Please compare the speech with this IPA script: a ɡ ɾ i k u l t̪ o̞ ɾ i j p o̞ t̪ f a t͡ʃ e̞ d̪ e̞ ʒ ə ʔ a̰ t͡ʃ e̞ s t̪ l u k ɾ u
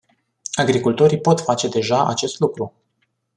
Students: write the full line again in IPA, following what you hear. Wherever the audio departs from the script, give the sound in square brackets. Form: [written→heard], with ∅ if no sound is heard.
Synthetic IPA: a ɡ ɾ i k u l t̪ o̞ ɾ i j p o̞ t̪ f a t͡ʃ e̞ d̪ e̞ ʒ [ə→a] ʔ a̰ t͡ʃ e̞ s t̪ l u k ɾ u